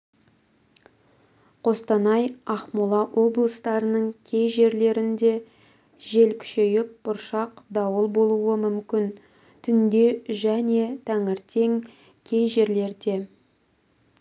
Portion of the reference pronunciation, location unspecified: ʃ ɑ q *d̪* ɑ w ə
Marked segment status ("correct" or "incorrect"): correct